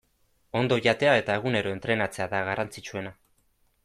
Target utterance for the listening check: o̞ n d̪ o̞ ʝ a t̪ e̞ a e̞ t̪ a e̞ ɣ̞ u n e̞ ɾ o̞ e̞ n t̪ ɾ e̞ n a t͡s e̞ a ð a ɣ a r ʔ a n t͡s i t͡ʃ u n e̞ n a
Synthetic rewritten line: o̞ n d̪ o̞ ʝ a t̪ e̞ a e̞ t̪ a e̞ ɣ̞ u n e̞ ɾ o̞ e̞ n t̪ ɾ e̞ n a t͡s e̞ a ð a ɣ a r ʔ a n t͡s i t͡ʃ u e̞ n a